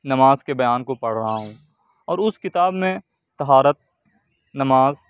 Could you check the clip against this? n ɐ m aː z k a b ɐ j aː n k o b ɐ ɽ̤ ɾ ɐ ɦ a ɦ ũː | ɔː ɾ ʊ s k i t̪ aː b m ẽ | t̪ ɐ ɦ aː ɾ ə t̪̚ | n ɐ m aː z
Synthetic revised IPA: n ɐ m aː z k e b ɐ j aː n k o p ɐ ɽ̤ ɾ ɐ ɦ a ɦ ũː | ɔː ɾ ʊ s k ɪ t̪ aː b m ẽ | t̪ ɐ ɦ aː ɾ ə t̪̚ | n ɐ m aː z